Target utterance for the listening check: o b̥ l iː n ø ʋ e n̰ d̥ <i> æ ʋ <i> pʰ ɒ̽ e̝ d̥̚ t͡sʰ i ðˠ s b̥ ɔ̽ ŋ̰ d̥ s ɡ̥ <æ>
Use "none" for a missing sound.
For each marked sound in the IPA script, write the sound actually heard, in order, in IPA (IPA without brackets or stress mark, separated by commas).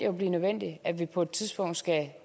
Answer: i, i, æ